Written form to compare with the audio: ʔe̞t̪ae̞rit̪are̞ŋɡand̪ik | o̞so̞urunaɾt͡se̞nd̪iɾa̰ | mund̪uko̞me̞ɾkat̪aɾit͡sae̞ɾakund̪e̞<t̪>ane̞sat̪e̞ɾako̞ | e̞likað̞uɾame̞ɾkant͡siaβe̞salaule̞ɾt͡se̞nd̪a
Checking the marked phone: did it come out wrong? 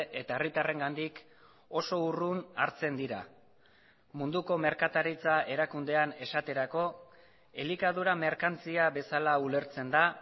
yes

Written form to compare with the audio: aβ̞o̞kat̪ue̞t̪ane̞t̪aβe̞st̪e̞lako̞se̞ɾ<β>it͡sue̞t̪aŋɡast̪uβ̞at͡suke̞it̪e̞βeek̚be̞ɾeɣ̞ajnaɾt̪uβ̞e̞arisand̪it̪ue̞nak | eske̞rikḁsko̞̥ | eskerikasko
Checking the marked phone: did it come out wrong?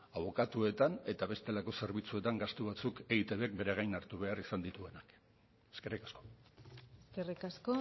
no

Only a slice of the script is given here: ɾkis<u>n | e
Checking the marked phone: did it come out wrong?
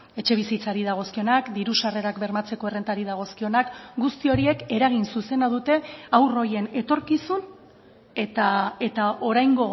no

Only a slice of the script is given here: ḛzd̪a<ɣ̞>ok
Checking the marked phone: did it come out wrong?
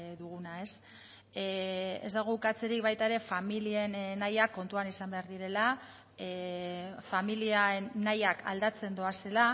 no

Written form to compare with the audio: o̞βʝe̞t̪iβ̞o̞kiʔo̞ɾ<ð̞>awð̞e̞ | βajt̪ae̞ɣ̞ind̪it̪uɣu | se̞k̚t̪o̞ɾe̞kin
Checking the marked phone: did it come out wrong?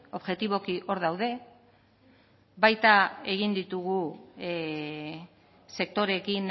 no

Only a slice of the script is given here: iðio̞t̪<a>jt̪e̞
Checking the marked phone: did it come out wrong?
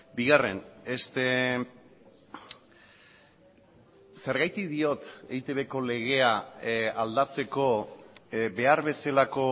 yes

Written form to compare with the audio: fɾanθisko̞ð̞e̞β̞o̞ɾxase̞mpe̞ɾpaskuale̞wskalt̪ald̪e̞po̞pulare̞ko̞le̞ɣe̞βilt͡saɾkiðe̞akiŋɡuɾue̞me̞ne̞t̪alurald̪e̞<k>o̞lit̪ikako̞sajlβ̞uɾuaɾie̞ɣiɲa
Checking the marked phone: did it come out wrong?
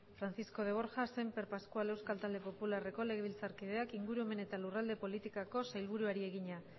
yes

